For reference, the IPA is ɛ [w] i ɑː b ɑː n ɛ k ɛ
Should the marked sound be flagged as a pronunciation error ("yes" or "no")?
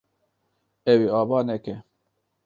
no